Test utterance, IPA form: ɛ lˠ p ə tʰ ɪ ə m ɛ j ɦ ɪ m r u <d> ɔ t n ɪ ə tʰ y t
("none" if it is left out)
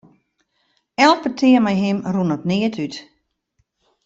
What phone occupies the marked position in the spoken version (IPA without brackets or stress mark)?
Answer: n